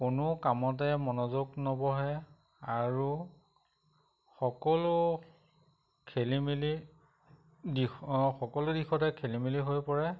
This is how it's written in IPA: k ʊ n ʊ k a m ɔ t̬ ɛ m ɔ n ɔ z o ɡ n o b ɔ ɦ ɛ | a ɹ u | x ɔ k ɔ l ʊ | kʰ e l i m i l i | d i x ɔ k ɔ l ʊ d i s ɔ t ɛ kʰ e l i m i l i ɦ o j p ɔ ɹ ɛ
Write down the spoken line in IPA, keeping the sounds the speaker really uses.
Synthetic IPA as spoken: k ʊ n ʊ k a m ɔ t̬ ɛ m ɔ n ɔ z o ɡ n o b ɔ ɦ ɛ | a ɹ u | x ɔ k ɔ l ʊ | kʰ e l i m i l i | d i x ɔ k ɔ l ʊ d i x ɔ t ɛ kʰ e l i m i l i ɦ o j p ɔ ɹ ɛ